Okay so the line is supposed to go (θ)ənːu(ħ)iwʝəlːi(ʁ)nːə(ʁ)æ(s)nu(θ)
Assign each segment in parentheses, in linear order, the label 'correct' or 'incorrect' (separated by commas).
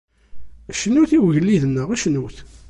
incorrect, incorrect, incorrect, correct, incorrect, correct